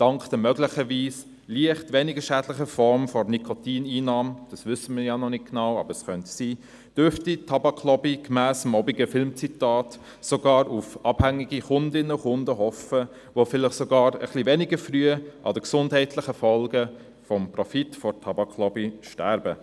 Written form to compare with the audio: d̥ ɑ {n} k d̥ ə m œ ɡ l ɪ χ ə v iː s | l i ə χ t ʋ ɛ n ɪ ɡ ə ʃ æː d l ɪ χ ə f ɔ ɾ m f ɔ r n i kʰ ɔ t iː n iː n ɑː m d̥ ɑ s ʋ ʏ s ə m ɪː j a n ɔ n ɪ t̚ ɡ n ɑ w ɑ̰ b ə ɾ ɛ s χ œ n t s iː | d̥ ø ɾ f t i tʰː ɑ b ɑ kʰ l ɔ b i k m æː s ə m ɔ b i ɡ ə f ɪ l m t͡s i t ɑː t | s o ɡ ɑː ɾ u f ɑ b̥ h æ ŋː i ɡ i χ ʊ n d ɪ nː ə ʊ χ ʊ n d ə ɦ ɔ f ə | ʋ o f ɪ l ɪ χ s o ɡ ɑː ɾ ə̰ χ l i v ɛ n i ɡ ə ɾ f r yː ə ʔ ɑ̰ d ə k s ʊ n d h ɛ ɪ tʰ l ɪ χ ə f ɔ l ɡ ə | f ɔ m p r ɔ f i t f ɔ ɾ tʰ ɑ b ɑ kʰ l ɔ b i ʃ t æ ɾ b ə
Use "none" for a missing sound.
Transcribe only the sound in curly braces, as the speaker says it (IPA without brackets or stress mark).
ŋ